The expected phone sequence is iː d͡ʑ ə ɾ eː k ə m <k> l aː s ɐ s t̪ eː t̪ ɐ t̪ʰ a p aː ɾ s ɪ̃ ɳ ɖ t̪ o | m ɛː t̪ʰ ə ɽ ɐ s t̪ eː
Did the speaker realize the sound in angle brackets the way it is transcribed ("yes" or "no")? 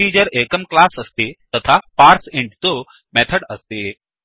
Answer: yes